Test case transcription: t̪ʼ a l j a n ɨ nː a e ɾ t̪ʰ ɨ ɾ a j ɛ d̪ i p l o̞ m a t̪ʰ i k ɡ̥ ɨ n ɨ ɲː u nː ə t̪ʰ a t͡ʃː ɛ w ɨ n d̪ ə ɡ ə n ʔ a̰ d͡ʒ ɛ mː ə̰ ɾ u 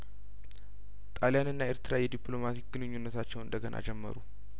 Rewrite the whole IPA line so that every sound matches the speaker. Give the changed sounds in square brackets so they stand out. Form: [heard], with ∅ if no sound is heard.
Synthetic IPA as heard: t̪ʼ a l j a n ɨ nː a e ɾ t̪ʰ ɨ ɾ a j ɛ d̪ i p l o̞ m a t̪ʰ i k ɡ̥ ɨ n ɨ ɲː u nː ə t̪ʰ a t͡ʃː ɛ w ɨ n d̪ ə ɡ ə n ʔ a̰ d͡ʒ ɛ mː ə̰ ɾ u